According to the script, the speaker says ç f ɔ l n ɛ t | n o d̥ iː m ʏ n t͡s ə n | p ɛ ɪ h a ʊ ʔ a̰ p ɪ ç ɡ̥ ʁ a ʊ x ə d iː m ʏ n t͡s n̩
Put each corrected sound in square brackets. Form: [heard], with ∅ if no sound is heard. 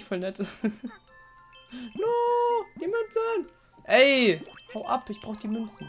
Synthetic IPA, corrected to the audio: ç f ɔ l n ɛ t | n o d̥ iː m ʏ n t͡s ə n | [ʔ] ɛ ɪ h a ʊ ʔ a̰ p ɪ ç [b̥] ʁ a ʊ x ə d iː m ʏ n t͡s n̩